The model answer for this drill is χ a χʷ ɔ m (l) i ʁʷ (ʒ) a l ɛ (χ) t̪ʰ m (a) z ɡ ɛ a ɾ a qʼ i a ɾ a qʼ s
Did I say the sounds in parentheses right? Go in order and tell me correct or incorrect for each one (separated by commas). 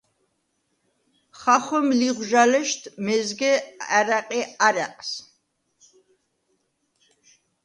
correct, correct, incorrect, incorrect